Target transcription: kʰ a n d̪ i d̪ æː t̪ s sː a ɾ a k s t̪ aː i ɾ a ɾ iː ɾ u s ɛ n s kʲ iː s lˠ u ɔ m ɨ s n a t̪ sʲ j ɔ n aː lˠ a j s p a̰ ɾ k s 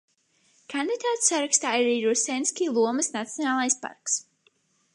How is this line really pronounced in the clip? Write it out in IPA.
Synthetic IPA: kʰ a n d̪ i d̪ aː t̪ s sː a ɾ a k s t̪ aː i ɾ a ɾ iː ɾ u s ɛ n s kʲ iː lˠ u ɔ m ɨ s n a t̪ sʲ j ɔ n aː lˠ a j s p a̰ ɾ k s